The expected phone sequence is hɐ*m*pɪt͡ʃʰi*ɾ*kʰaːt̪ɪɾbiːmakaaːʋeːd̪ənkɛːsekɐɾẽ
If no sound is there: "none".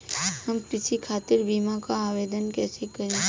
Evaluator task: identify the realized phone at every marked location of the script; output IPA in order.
m, none

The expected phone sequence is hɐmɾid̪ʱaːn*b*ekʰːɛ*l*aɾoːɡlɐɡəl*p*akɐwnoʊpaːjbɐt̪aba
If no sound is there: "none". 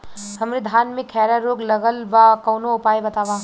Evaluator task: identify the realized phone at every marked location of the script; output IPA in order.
m, ɾ, b

